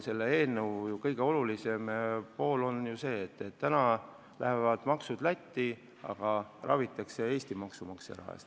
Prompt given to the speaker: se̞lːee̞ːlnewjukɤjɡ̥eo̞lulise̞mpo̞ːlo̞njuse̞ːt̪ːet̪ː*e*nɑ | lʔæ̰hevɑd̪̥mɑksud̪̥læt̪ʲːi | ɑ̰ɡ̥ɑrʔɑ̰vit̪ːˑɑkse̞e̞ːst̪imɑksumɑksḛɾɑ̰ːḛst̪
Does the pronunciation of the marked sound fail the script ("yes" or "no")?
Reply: yes